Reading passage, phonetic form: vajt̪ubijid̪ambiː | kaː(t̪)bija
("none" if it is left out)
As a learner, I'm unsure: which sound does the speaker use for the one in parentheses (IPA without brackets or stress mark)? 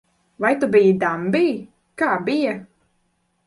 none